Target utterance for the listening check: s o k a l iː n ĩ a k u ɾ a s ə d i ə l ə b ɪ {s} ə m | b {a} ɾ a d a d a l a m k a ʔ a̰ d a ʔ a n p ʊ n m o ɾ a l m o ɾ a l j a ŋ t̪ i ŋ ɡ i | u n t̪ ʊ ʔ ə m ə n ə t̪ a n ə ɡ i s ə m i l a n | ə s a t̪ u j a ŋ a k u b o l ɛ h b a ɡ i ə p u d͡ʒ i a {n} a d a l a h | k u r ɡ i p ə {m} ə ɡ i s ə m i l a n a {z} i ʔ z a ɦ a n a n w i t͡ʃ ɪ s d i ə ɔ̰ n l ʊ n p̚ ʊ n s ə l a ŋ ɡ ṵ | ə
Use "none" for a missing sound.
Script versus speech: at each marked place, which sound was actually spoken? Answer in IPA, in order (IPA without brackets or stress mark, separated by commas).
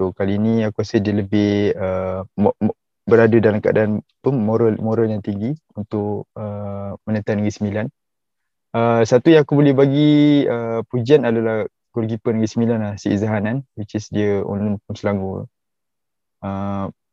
h, ə, n, n, s